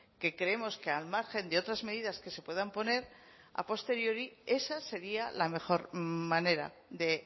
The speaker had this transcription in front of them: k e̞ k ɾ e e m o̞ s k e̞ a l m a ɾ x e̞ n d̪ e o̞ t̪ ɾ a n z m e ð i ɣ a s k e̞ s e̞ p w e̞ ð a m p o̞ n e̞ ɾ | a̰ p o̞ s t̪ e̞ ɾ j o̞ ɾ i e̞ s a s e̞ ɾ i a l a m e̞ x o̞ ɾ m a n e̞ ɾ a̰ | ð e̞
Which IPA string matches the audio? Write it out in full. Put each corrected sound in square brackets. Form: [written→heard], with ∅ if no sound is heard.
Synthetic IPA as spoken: k e̞ k ɾ e e m o̞ s k e̞ a l m a ɾ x e̞ n d̪ e o̞ t̪ ɾ a [n→∅] z m e ð i [ɣ→ð] a s k e̞ s e̞ p w e̞ ð a m p o̞ n e̞ ɾ | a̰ p o̞ s t̪ e̞ ɾ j o̞ ɾ i e̞ s a s e̞ ɾ i a l a m e̞ x o̞ ɾ m a n e̞ ɾ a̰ | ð e̞